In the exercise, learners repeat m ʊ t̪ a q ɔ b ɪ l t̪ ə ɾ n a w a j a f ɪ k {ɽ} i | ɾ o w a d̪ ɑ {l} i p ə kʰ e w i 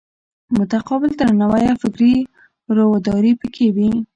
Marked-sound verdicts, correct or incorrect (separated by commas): incorrect, incorrect